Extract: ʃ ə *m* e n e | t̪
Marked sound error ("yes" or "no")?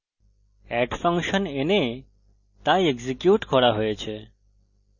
yes